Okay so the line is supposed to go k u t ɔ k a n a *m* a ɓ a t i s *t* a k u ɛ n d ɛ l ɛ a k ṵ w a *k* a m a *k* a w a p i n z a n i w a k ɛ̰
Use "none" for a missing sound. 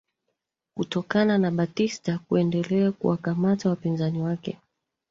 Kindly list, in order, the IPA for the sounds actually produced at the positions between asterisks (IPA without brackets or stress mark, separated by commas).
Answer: n, t, k, t